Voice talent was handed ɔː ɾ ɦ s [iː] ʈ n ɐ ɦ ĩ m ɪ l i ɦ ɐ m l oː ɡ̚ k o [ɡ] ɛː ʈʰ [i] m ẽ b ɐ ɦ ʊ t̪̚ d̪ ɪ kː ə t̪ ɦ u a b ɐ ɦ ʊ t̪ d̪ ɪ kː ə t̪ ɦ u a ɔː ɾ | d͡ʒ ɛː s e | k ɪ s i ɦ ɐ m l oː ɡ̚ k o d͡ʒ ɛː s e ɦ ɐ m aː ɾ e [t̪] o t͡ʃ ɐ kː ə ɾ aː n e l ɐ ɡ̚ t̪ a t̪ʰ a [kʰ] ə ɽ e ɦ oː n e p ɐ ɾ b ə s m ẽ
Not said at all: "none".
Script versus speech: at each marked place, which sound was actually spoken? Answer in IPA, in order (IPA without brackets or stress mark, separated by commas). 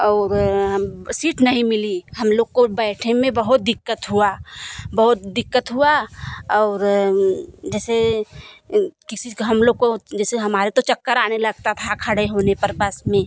iː, b, e, t̪, kʰ